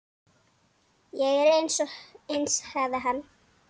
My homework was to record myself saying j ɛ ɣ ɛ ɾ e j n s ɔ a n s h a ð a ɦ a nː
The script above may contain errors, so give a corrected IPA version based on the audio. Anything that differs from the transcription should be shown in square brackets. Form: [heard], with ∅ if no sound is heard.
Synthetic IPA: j ɛ ɣ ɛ ɾ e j n s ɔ [e] n s h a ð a ɦ a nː